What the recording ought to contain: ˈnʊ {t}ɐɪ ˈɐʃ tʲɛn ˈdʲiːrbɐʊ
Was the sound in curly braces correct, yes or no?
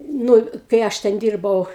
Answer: no